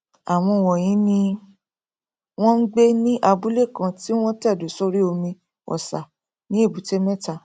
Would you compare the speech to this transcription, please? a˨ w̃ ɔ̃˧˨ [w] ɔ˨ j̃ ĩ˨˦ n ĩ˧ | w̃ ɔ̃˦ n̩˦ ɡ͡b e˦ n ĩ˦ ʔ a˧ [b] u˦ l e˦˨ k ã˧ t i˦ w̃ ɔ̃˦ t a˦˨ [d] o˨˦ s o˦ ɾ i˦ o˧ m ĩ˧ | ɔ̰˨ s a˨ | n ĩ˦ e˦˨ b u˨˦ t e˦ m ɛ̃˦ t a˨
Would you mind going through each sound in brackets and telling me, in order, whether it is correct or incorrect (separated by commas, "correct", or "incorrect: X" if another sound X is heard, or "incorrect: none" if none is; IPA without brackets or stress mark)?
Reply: correct, correct, correct